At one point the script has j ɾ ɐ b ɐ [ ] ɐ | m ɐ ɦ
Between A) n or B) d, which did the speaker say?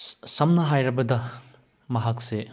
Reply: B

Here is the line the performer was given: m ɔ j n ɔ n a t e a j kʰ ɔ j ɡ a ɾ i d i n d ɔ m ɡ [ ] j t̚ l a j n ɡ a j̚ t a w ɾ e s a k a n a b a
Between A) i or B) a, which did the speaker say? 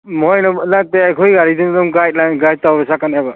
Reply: B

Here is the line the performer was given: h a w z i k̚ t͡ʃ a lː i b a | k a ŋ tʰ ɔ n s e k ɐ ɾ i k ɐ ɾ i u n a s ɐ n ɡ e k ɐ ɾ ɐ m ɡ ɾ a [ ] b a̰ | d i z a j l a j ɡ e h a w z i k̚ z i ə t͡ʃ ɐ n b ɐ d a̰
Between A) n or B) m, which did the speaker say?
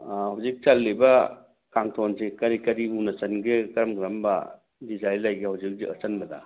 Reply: B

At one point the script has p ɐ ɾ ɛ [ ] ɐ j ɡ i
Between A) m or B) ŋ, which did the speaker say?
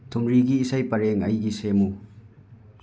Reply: B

